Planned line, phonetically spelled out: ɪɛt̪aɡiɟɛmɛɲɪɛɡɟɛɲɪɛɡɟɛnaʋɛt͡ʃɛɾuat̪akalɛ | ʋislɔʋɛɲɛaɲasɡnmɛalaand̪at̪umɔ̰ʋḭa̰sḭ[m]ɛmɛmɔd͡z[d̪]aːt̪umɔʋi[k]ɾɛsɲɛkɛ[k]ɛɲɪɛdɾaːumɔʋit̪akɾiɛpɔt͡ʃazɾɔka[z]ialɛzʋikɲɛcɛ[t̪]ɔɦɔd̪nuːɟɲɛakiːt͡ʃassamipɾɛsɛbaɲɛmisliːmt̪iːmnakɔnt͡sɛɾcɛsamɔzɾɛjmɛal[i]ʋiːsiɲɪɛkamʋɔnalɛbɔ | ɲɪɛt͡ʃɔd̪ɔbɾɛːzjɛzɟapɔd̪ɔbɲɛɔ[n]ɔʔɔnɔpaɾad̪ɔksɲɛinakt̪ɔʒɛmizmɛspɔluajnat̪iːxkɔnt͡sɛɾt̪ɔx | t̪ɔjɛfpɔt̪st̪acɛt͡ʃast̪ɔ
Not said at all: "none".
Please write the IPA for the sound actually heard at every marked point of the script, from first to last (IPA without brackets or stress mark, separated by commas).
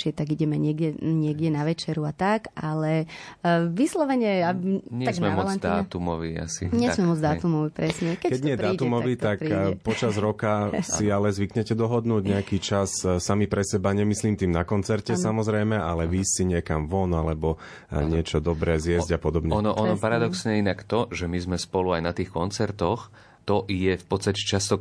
ɲ, d̪, p, k, s, d̪, ɛ, n